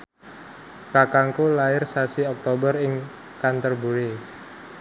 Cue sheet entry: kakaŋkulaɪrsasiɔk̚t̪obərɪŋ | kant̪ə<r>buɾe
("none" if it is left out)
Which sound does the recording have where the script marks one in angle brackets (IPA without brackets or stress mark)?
r